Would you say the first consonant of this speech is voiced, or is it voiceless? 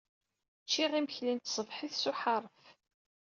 voiceless